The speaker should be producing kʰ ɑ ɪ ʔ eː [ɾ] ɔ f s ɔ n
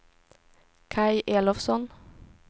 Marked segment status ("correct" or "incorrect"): incorrect